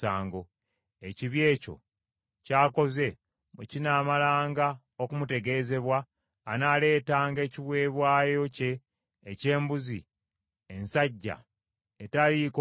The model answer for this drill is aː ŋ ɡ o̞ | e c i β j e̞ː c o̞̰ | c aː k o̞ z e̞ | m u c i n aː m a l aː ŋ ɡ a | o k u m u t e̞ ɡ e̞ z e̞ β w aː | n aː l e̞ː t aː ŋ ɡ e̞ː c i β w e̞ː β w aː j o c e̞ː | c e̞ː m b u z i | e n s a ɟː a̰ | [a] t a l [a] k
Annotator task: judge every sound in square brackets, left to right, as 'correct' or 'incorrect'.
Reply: incorrect: e, incorrect: i

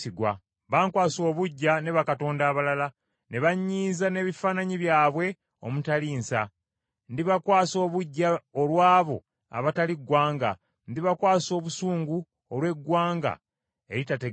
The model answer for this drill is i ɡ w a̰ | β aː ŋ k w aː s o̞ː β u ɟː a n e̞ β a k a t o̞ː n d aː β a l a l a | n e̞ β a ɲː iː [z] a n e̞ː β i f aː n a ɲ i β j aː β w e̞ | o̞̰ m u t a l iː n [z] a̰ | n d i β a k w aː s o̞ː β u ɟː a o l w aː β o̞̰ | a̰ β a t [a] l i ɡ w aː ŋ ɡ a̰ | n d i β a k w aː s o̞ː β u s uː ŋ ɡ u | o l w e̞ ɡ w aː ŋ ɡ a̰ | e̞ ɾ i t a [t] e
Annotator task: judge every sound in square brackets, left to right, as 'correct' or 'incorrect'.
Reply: correct, incorrect: s, correct, correct

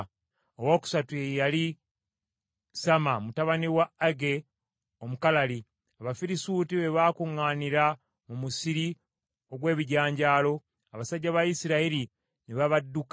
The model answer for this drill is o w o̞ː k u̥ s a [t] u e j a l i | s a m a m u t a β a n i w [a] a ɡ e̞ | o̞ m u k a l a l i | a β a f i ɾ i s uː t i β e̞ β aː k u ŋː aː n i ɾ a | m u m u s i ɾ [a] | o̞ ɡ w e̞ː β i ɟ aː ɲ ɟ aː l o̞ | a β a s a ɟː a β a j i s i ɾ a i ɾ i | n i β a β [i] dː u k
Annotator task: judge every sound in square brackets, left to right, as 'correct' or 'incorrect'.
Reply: correct, correct, incorrect: i, incorrect: a

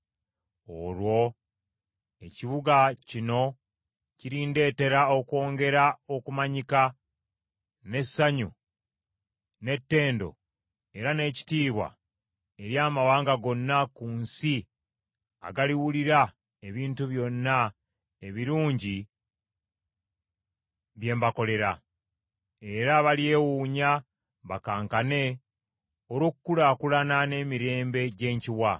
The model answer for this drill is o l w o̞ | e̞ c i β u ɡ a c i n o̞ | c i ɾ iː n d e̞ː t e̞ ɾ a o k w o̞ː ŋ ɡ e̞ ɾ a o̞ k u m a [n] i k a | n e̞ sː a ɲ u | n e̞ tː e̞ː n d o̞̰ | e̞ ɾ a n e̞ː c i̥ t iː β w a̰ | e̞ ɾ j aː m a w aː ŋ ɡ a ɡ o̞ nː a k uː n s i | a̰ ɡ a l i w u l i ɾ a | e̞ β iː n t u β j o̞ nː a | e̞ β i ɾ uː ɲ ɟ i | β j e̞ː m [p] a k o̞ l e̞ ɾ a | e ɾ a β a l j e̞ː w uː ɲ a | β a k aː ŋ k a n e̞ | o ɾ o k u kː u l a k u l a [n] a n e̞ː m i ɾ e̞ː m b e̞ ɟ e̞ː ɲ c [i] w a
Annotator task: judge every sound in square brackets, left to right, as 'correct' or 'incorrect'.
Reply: incorrect: ɲ, incorrect: b, correct, correct

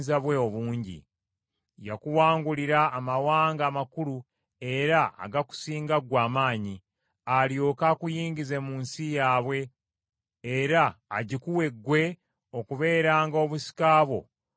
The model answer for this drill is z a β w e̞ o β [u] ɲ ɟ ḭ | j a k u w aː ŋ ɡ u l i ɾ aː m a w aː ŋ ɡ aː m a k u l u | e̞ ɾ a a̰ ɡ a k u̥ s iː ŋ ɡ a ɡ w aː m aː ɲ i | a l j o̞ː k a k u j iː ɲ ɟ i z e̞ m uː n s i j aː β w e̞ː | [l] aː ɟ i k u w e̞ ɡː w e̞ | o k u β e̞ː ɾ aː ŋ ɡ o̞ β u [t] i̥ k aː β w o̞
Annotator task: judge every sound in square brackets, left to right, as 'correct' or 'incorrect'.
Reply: incorrect: uː, incorrect: ɾ, incorrect: s

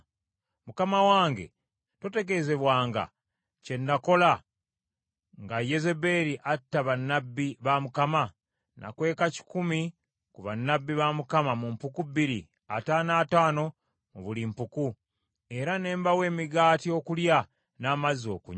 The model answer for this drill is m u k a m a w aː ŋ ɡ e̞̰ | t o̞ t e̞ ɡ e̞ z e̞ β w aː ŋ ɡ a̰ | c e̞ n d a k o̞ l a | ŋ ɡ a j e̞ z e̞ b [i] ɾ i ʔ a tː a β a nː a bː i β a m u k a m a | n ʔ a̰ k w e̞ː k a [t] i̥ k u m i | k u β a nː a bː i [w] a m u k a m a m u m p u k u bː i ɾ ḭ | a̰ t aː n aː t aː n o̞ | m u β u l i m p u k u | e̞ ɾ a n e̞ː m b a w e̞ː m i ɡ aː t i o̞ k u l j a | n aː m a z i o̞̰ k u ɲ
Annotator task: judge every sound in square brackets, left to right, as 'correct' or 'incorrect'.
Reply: incorrect: e, incorrect: c, incorrect: β

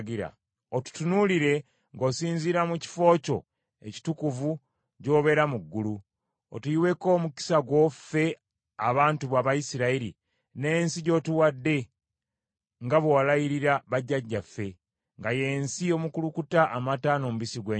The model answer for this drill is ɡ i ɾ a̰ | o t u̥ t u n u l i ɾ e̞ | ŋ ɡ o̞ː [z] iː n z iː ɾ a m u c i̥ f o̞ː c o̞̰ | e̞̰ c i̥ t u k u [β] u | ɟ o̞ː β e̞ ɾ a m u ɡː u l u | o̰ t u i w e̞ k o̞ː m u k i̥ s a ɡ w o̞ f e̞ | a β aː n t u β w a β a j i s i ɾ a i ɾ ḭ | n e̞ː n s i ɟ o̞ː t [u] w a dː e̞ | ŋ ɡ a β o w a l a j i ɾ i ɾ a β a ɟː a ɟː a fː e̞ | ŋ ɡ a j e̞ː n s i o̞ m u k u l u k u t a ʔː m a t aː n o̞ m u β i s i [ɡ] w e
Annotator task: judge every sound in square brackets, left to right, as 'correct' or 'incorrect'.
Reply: incorrect: s, incorrect: v, correct, correct

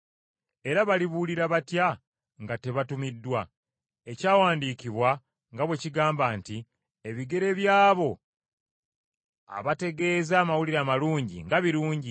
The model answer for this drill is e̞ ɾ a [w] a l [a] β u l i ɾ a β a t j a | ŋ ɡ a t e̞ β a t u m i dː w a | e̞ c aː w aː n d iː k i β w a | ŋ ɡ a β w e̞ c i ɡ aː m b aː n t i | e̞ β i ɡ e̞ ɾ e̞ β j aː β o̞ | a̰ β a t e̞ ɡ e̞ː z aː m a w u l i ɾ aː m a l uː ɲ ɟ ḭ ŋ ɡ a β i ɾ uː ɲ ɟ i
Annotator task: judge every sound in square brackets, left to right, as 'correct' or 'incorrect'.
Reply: incorrect: β, incorrect: i

